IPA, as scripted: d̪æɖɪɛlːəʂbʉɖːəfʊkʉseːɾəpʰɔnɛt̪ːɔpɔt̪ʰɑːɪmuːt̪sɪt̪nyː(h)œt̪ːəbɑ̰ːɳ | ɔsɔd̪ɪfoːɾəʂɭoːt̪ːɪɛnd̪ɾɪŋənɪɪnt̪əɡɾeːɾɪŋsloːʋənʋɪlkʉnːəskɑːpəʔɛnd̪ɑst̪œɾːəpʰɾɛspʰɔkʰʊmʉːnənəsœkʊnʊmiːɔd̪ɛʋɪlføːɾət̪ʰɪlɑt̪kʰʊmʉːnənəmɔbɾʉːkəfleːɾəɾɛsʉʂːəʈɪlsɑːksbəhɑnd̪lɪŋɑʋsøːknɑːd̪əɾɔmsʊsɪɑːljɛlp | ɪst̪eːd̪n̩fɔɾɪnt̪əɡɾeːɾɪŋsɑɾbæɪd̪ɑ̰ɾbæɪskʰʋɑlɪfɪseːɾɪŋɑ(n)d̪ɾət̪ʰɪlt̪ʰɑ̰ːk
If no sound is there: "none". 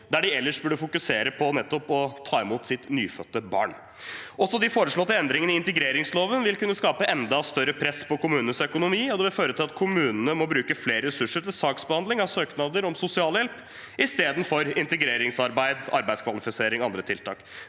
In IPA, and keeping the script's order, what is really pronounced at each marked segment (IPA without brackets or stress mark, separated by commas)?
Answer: f, n